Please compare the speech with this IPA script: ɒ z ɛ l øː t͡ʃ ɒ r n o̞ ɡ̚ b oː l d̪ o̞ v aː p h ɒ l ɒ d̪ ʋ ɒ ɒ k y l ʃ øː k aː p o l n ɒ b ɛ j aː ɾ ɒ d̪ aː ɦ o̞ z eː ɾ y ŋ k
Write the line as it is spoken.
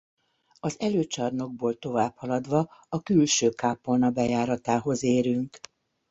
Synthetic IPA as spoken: ɒ z ɛ l øː t͡ʃ ɒ r n o̞ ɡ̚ b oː l t̪ o̞ v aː p h ɒ l ɒ d̪ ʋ ɒ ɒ k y l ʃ øː k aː p o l n ɒ b ɛ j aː ɾ ɒ t̪ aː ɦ o̞ z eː ɾ y ŋ k

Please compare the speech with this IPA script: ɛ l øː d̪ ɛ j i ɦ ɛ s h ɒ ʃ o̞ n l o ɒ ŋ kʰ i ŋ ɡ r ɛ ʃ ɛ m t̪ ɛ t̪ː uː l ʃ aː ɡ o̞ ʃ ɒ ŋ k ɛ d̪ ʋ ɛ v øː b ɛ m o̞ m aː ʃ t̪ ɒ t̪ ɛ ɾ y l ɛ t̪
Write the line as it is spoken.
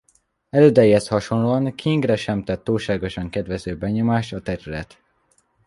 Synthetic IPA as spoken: ɛ l øː d̪ ɛ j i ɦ ɛ s h ɒ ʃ o̞ n l o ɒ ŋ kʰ i ŋ ɡ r ɛ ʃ ɛ m t̪ ɛ t̪ː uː l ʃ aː ɡ o̞ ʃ ɒ ŋ k ɛ d̪ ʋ ɛ z øː b ɛ ɲ o̞ m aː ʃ t̪ ɒ t̪ ɛ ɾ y l ɛ t̪

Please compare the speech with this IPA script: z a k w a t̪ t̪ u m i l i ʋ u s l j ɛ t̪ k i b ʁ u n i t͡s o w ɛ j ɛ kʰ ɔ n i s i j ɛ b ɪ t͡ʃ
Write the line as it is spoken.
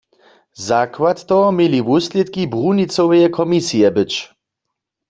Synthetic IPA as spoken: z a k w a t̪ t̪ ɔ m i l i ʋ u s l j ɛ t̪ k i b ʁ u n i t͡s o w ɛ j ɛ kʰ ɔ m i s i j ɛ b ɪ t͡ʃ

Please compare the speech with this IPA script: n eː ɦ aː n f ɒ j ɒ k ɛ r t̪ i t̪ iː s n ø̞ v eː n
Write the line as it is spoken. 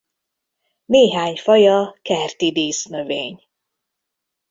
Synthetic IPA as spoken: n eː ɦ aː ɲ f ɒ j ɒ k ɛ r t̪ i d̪ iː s n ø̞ v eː ɲ

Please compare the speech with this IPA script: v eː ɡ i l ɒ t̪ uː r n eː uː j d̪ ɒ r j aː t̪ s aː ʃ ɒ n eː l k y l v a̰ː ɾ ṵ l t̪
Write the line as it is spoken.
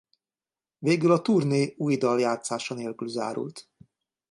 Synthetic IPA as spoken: v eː ɡ y l ɒ t̪ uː r n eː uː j d̪ ɒ l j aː t̪ s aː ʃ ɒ n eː l k y l z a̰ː ɾ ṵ l t̪

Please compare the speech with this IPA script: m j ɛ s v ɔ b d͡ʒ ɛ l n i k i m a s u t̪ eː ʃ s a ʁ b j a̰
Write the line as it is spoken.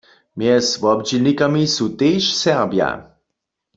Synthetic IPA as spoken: m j ɛ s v ɔ b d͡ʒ i l n i k a m i s u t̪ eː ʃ s ɛ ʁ b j a̰

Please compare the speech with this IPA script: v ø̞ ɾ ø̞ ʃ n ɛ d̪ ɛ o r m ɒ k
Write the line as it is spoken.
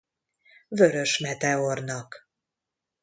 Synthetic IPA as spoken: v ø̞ ɾ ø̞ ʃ m ɛ t̪ ɛ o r n ɒ k

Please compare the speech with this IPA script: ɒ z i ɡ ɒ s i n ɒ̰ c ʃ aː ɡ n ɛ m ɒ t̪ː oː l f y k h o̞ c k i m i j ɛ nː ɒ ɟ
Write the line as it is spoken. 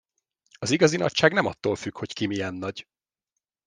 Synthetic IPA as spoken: ɒ z i ɡ ɒ z i n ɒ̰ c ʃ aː ɡ n ɛ m ɒ t̪ː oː l f y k h o̞ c k i m i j ɛ nː ɒ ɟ

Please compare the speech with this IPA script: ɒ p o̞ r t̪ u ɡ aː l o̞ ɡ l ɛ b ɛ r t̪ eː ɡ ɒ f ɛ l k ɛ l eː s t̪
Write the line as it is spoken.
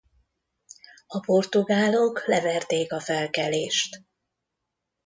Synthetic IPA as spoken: ɒ p o̞ r t̪ u ɡ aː l o̞ k l ɛ v ɛ r t̪ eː k ɒ f ɛ l k ɛ l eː ʃ t̪

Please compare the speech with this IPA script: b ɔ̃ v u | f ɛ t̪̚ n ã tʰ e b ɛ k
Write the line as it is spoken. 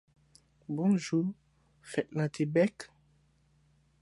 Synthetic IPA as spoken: b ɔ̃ ʒ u | f ɛ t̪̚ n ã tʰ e b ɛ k

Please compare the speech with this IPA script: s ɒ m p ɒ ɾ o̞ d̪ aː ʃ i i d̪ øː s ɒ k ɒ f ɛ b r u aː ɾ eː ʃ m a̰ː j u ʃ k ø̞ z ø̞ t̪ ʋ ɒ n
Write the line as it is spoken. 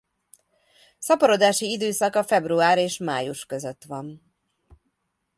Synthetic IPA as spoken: s ɒ p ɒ ɾ o̞ d̪ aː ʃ i i d̪ øː s ɒ k ɒ f ɛ b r u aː ɾ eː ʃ m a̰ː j u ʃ k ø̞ z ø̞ t̪ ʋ ɒ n

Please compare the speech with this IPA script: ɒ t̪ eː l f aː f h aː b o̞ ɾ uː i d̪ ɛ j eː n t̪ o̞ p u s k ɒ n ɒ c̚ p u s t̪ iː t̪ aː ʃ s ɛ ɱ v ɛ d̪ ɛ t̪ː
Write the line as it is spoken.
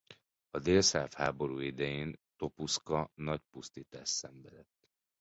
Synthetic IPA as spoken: ɒ d̪ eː l s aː f h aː b o̞ ɾ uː i d̪ ɛ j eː n t̪ o̞ p u s k ɒ n ɒ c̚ p u s t̪ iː t̪ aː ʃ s ɛ ɱ v ɛ d̪ ɛ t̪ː

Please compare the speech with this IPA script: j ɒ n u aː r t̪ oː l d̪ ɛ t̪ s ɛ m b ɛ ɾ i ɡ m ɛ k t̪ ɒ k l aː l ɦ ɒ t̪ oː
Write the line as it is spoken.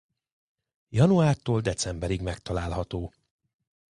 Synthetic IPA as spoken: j ɒ n u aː r t̪ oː l d̪ ɛ t̪ s ɛ m b ɛ ɾ i ɡ m ɛ k t̪ ɒ l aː l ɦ ɒ t̪ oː

